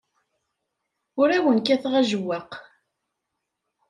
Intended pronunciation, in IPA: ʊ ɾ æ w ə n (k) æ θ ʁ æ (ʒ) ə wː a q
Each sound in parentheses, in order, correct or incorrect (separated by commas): correct, correct